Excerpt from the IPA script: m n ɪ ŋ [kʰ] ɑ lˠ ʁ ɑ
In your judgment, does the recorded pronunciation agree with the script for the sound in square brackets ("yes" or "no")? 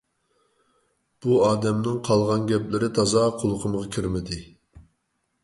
no